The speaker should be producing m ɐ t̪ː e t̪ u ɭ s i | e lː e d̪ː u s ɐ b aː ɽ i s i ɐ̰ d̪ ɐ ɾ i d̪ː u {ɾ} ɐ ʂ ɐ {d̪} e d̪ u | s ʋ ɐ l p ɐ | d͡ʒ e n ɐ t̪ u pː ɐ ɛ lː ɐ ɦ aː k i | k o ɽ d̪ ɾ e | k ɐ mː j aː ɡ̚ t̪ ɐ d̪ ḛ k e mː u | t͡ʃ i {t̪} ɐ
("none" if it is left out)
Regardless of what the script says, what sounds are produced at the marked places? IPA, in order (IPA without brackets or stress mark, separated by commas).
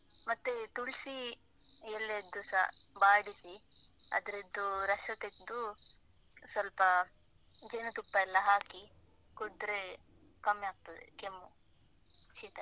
ɾ, t̪, t̪